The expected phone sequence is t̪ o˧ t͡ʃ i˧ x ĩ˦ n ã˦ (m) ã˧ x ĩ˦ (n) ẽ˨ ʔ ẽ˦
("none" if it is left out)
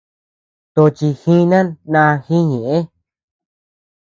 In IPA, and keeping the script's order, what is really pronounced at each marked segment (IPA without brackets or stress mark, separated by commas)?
n, ɲ